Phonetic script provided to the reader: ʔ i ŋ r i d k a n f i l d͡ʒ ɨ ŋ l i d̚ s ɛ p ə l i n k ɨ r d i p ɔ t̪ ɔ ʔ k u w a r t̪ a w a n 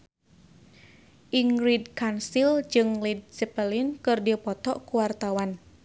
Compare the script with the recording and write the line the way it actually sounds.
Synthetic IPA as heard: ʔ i ŋ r i d k a n s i l d͡ʒ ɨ ŋ l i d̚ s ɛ p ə l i n k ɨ r d i p ɔ t̪ ɔ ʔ k u w a r t̪ a w a n